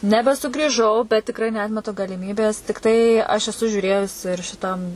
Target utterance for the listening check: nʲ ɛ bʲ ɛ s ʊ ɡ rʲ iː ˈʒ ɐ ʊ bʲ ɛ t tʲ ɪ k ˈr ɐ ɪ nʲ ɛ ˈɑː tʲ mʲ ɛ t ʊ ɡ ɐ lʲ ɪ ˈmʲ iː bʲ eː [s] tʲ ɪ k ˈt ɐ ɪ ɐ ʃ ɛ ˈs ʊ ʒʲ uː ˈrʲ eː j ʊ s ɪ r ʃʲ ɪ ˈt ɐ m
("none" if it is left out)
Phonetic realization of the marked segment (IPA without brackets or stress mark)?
s